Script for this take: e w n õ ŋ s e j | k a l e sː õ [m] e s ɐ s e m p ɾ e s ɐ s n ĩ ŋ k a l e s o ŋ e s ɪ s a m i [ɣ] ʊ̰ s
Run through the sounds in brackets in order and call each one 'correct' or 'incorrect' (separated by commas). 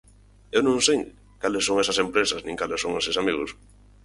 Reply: incorrect, correct